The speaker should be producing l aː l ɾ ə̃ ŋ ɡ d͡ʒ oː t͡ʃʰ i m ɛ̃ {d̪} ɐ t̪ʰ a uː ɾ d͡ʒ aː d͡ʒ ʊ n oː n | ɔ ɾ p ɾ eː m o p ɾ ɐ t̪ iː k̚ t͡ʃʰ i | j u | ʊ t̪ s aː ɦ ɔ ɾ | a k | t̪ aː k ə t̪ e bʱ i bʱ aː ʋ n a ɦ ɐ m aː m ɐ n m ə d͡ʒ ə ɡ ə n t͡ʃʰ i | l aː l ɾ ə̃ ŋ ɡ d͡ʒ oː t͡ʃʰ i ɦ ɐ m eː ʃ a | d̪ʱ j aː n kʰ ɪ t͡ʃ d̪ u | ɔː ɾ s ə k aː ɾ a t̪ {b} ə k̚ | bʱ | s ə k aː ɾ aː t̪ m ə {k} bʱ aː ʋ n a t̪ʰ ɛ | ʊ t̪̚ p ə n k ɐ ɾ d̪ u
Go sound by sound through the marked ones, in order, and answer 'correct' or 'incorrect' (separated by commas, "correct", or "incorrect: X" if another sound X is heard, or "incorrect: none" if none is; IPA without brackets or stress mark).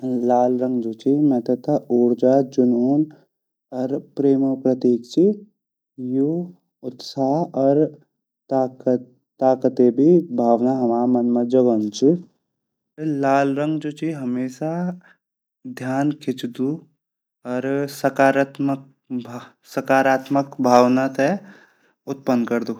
incorrect: t̪, incorrect: m, correct